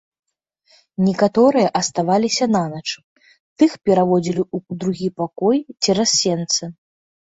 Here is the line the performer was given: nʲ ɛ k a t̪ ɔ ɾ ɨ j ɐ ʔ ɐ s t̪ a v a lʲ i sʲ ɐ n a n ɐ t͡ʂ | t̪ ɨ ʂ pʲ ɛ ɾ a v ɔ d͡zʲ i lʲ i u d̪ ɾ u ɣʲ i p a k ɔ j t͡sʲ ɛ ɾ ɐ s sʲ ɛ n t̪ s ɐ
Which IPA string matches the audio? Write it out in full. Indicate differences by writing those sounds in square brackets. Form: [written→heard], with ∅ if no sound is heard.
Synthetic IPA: nʲ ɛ k a t̪ ɔ ɾ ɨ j ɐ ʔ ɐ s t̪ a v a lʲ i sʲ ɐ n a n ɐ t͡ʂ | t̪ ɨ [ʂ→x] pʲ ɛ ɾ a v ɔ d͡zʲ i lʲ i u d̪ ɾ u ɣʲ i p a k ɔ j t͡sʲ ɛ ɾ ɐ s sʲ ɛ n t̪ s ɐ